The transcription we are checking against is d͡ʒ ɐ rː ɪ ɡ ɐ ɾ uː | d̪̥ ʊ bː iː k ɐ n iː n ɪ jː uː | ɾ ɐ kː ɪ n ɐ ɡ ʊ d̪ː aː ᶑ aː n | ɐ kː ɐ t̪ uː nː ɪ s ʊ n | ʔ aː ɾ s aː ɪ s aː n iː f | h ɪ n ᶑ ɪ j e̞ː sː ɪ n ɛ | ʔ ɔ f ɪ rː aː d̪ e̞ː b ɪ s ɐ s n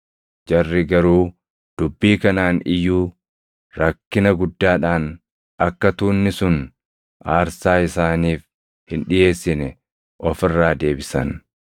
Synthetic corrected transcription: d͡ʒ ɐ rː ɪ ɡ ɐ ɾ uː | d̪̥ ʊ bː iː k ɐ n aː n ɪ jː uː | ɾ ɐ kː ɪ n ɐ ɡ ʊ d̪ː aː ᶑ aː n | ɐ kː ɐ t̪ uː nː ɪ s ʊ n | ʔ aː ɾ s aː ɪ s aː n iː f | h ɪ n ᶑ ɪ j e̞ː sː ɪ n ɛ | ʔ ɔ f ɪ rː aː d̪ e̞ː b ɪ s ɐ n